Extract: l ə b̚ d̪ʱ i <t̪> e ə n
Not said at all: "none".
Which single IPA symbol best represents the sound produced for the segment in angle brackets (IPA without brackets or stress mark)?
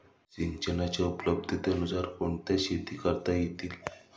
t̪